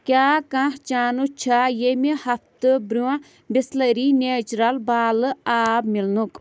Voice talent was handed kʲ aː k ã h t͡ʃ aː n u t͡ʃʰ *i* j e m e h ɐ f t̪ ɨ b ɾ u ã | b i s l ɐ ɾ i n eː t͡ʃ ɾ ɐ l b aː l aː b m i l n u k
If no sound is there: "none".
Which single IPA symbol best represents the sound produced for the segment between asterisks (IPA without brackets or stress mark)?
a